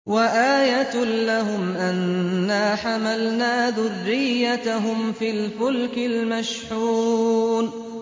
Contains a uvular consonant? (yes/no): no